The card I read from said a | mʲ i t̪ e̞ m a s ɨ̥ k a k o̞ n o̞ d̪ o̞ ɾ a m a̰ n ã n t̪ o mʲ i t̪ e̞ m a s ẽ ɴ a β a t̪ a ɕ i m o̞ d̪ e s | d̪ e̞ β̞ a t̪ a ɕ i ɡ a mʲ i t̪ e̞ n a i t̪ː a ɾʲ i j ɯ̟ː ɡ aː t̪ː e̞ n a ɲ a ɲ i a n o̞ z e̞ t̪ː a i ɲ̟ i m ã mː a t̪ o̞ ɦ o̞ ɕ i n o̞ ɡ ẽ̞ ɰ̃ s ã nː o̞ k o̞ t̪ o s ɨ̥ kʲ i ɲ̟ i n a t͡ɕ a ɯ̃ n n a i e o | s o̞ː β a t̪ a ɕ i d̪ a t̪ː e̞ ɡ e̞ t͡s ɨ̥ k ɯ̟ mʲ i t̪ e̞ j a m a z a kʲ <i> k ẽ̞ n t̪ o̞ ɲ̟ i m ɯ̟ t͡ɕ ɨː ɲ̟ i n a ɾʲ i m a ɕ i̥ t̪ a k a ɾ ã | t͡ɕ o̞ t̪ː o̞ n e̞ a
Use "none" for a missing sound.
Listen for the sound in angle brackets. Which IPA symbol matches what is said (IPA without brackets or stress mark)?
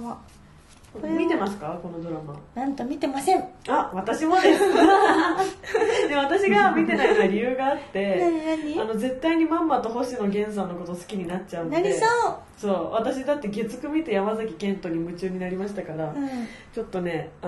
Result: i